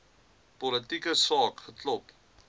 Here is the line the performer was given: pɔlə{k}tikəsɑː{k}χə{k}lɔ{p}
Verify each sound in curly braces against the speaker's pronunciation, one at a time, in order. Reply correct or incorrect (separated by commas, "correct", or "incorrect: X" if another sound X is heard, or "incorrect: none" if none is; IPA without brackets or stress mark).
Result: incorrect: none, correct, incorrect: t, correct